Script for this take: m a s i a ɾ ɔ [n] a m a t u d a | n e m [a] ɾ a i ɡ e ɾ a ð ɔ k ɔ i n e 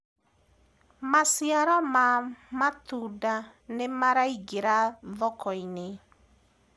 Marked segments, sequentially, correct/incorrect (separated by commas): incorrect, correct